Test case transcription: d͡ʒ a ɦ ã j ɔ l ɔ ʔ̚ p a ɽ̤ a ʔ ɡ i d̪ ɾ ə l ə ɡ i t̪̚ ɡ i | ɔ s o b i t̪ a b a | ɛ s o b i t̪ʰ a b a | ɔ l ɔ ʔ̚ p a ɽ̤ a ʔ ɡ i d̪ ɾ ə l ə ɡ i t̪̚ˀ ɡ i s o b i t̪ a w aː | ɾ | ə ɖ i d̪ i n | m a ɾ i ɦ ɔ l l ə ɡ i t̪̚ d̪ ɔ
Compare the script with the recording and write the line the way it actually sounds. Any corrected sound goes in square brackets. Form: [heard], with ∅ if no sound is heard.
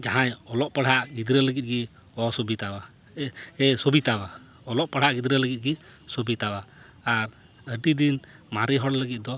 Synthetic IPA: d͡ʒ a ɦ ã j ɔ l ɔ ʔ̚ p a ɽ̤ a ʔ ɡ i d̪ ɾ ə l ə ɡ i t̪̚ ɡ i | ɔ s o b i t̪ a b a | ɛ s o b i [t̪] a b a | ɔ l ɔ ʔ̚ p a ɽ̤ a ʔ ɡ i d̪ ɾ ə l ə ɡ i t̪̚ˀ ɡ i s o b i t̪ a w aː | ɾ | ə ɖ i d̪ i n | m a ɾ i ɦ ɔ [ɽ] l ə ɡ i t̪̚ d̪ ɔ